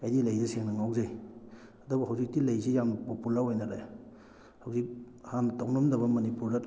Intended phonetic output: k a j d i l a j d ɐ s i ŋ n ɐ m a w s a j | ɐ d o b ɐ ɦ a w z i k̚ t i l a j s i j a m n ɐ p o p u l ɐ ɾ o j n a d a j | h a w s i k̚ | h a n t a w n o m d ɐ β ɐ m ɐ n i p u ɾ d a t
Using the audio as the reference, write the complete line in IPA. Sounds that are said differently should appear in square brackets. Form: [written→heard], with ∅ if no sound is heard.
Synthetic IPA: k a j d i l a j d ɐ s [i→e] ŋ n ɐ [m→ŋ] a w [s→z] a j | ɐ d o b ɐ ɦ a w z i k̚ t i l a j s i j a m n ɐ p o p u l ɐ ɾ o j n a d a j | h a w [s→z] i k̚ | h a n t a w n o m d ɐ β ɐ m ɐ n i p u ɾ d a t